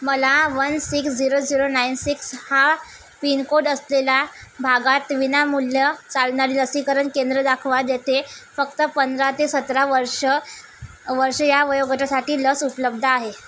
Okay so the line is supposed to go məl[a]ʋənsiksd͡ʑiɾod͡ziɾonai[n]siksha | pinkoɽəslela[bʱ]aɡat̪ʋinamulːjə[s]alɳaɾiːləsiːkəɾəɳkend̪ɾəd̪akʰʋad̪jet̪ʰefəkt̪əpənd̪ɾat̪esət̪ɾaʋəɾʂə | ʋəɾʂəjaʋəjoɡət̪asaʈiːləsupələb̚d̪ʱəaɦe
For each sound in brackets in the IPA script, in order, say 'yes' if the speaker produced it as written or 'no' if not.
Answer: yes, yes, yes, no

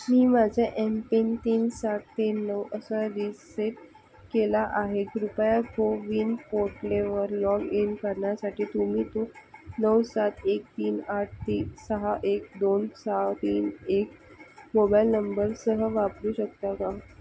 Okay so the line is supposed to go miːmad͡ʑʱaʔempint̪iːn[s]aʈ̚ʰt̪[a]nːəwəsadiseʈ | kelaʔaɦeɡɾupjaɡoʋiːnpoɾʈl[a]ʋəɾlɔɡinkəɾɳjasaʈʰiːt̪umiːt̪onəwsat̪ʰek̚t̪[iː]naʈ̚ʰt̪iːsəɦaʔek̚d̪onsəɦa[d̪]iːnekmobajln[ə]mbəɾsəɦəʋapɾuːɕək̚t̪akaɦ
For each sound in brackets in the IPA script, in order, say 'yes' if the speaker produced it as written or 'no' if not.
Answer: yes, no, no, yes, no, yes

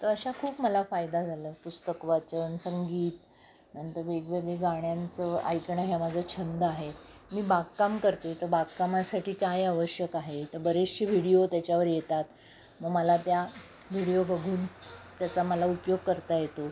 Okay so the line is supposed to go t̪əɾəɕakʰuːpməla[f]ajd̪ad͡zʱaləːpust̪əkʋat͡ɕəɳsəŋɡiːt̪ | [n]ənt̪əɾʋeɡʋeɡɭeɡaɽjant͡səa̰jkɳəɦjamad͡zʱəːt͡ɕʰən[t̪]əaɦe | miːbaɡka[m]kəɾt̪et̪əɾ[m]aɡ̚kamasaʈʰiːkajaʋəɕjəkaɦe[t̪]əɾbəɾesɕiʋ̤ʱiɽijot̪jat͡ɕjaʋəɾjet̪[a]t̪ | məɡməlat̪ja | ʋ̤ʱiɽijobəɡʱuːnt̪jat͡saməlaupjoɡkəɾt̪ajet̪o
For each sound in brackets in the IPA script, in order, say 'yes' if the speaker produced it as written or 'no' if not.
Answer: yes, yes, no, yes, no, yes, yes

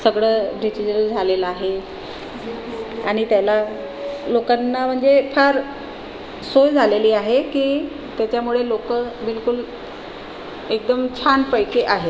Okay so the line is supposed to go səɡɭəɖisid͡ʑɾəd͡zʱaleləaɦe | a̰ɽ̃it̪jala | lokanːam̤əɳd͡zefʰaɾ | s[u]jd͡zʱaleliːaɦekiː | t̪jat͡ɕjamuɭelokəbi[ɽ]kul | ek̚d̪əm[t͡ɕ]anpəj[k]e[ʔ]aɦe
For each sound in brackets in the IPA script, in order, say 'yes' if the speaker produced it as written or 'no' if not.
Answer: no, no, no, yes, yes

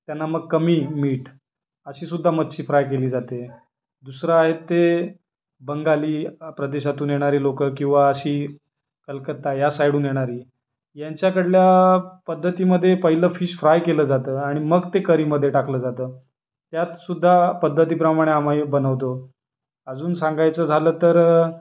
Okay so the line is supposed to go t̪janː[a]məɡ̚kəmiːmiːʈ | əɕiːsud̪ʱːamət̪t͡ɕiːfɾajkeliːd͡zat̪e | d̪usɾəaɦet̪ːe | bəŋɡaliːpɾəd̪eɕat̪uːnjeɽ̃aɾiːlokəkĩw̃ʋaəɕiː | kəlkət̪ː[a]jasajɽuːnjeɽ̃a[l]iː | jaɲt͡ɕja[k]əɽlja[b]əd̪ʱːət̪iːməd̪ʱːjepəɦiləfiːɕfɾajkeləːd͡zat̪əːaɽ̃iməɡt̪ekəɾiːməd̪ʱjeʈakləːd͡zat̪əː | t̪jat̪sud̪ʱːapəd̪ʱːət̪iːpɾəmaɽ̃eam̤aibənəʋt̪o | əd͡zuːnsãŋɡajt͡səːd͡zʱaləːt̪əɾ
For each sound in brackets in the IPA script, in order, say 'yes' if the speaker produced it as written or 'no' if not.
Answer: yes, yes, no, yes, no

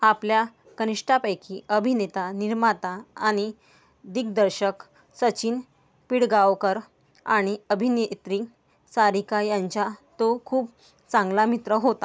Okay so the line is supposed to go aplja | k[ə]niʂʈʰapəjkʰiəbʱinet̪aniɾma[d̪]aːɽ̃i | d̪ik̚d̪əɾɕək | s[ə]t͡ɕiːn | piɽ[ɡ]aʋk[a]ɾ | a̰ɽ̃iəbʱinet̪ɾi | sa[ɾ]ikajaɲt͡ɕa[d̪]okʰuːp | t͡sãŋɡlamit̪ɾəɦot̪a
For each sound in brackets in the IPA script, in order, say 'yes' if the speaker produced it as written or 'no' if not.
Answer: yes, no, yes, yes, no, yes, no

